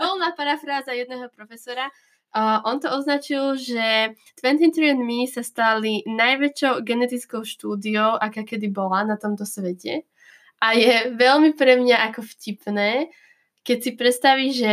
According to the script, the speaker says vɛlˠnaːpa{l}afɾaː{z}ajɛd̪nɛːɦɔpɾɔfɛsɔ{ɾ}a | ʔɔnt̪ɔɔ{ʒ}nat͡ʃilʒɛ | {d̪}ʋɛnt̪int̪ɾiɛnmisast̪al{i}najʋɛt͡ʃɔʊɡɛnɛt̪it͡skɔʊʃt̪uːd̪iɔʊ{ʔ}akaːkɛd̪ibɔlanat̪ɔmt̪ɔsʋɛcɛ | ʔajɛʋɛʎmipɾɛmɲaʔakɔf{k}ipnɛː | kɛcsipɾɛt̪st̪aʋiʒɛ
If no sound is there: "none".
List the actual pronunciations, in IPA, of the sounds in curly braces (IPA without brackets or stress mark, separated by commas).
ɾ, z, ɾ, z, t̪, i, ʔ, c